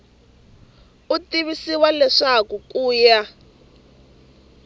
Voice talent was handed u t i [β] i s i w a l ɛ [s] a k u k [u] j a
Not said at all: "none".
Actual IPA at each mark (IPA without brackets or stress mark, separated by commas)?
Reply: β, ʂ, uː